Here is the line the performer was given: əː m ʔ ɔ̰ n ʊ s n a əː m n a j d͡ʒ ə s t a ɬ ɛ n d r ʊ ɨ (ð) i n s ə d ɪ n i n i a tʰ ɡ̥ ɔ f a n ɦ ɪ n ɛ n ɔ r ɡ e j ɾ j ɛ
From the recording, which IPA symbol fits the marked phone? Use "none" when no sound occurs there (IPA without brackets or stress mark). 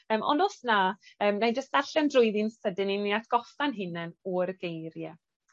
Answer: ð